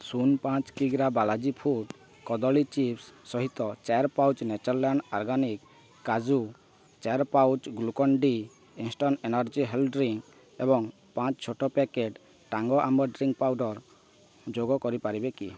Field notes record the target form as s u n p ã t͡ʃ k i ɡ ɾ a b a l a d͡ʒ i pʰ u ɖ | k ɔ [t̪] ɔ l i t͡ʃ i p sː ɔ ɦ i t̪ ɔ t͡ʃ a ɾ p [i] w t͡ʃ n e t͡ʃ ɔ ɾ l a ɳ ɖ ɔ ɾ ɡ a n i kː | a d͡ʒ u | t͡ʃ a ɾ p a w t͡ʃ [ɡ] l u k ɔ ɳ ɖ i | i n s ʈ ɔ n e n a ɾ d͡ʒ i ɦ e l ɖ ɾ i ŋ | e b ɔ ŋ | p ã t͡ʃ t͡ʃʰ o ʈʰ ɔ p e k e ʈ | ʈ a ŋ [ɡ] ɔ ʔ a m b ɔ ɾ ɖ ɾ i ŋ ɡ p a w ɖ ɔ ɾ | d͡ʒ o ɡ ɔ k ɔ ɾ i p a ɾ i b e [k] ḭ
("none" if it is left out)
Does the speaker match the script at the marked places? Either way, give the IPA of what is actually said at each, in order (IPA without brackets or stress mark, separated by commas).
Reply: d̪, a, ɡ, ɡ, k